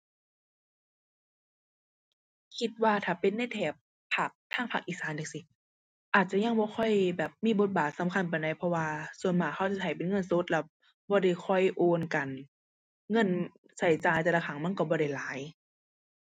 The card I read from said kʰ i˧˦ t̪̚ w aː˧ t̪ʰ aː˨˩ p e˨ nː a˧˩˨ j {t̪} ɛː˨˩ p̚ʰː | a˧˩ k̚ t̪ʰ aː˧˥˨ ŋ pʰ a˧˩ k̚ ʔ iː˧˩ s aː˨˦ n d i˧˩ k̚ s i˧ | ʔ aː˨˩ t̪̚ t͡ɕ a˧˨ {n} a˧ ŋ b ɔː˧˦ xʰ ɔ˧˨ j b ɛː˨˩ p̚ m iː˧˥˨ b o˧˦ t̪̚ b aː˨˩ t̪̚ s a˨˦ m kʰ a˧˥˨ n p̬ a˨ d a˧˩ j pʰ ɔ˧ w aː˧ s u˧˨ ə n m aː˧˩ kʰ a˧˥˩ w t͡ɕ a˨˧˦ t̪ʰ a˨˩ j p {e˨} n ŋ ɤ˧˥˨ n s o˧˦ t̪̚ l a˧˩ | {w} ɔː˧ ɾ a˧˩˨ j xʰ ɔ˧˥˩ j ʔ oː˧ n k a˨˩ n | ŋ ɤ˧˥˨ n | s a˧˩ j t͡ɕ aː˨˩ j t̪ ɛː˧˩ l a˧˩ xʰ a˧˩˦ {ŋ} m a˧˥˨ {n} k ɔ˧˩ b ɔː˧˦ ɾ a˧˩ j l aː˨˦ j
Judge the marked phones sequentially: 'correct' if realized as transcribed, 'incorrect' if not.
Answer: incorrect: t̪ʰ, incorrect: ɲ, correct, incorrect: b, correct, correct

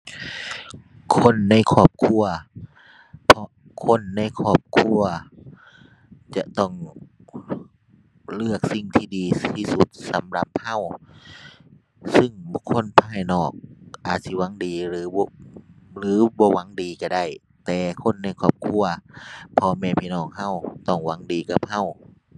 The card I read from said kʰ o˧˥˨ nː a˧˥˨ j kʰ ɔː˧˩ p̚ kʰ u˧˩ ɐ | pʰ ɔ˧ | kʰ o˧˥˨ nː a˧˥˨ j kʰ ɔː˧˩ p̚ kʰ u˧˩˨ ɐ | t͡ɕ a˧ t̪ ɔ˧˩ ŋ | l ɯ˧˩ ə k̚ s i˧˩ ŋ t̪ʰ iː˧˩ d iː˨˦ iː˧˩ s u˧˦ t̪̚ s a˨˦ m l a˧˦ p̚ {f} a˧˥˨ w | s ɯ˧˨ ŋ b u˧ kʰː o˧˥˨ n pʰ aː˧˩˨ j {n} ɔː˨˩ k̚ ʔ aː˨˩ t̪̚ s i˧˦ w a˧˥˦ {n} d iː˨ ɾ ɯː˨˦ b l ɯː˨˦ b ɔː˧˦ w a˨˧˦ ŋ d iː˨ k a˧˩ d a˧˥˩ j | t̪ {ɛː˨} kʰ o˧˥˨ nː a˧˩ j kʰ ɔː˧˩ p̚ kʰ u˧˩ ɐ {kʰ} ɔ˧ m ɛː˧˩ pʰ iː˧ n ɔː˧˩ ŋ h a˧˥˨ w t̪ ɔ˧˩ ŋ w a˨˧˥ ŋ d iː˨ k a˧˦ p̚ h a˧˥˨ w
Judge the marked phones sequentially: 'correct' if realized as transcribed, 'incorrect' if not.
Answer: incorrect: h, correct, incorrect: ŋ, correct, incorrect: pʰ

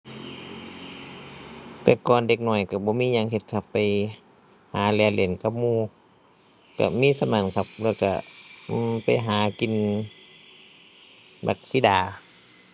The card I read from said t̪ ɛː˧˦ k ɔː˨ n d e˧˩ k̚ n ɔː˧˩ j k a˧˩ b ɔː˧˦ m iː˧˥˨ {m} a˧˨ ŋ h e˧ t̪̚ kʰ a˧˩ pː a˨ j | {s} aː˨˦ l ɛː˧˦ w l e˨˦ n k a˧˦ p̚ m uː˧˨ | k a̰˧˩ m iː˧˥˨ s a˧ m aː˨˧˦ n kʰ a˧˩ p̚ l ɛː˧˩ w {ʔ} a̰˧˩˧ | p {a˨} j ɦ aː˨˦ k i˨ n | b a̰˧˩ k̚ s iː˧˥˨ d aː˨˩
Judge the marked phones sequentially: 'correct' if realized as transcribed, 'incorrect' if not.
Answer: incorrect: ɲ, incorrect: h, incorrect: k, correct

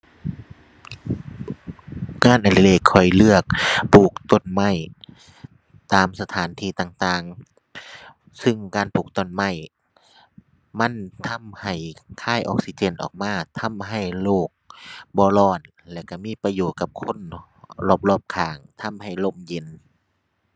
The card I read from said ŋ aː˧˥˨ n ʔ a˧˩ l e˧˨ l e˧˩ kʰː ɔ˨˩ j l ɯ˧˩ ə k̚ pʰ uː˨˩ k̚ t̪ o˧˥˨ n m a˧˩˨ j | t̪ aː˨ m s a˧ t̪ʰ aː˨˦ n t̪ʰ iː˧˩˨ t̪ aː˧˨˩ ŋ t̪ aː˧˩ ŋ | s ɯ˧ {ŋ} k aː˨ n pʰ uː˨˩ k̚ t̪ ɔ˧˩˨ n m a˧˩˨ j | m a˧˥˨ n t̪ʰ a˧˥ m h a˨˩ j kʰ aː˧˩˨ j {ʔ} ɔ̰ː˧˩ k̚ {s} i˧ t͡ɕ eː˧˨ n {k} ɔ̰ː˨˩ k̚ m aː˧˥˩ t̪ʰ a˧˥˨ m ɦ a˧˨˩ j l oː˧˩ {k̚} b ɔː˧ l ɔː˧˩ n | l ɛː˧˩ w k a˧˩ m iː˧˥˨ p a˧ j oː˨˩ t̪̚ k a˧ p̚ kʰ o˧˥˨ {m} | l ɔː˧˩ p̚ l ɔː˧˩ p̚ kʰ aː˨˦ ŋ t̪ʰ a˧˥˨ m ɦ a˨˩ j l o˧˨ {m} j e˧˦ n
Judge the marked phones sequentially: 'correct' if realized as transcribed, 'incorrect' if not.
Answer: correct, correct, correct, incorrect: ʔ, correct, incorrect: n, correct

